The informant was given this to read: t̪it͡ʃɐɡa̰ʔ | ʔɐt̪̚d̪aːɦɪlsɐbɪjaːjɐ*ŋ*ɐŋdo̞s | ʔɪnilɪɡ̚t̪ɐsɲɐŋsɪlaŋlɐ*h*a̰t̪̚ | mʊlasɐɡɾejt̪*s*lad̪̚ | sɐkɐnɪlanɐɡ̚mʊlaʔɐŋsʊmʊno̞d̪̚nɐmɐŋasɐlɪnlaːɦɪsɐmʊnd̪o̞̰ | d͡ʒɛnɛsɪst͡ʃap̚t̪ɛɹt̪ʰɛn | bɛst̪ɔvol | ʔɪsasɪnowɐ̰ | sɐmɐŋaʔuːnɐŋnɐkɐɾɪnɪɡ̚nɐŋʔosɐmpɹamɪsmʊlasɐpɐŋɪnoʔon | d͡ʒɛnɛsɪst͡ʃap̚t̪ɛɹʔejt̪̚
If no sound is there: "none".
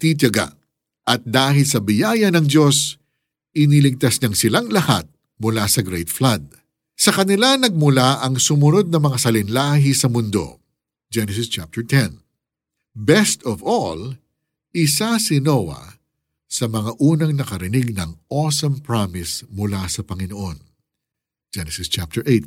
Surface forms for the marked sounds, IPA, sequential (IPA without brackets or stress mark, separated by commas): n, h, f